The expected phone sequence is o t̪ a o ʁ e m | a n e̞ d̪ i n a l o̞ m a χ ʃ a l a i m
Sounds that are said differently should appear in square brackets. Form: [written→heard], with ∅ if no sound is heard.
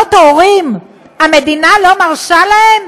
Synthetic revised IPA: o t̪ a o ʁ [e→i] m | a [n→m] e̞ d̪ i n a l o̞ m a [χ→ʁ] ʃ a l a [i→e] m

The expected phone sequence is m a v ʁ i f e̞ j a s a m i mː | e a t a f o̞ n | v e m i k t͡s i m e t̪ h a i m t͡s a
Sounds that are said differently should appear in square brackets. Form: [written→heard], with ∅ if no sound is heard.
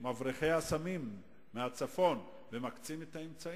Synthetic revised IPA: m a v ʁ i [f→χ] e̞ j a s a m i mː | e a [t→t͡s] a f o̞ n | v e m [i→a] k t͡s i m e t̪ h a [i→e] m t͡s a

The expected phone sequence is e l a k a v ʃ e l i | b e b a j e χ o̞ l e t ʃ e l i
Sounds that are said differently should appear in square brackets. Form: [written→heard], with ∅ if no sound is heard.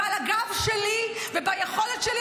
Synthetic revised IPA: [e→a] l a [k→ɡ] a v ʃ e l i | [b→v] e b a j e χ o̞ l e t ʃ e l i

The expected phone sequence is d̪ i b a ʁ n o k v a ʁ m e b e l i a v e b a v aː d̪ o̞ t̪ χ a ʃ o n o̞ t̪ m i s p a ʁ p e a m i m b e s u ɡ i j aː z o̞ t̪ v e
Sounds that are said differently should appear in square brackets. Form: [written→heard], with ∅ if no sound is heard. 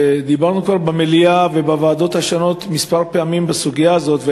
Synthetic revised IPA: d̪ i b a ʁ n [o→u] k v a ʁ [m→b] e [b→m] e l i a v e b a v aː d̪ o̞ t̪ [χ→h] a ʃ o n o̞ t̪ m i s p a ʁ p e a m i m b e s u ɡ i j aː z o̞ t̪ v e

